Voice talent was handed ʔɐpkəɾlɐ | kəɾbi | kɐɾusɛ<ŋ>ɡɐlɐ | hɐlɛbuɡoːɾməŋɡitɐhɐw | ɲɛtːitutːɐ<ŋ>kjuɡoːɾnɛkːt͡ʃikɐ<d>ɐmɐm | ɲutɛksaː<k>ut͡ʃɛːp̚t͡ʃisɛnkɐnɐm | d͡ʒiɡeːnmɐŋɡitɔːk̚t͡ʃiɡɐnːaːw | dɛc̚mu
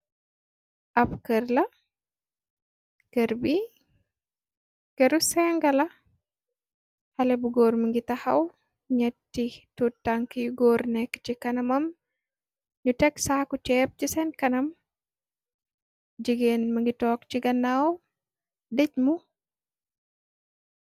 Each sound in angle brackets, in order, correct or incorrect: correct, correct, incorrect: n, correct

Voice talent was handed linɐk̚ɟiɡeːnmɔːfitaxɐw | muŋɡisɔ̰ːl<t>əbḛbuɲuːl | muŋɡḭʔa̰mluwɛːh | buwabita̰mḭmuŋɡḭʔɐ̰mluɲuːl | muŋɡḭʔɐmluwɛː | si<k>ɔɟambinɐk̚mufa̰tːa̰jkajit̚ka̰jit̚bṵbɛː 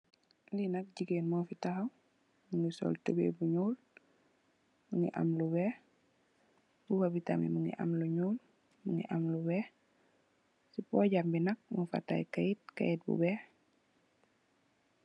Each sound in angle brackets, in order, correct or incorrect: correct, incorrect: p

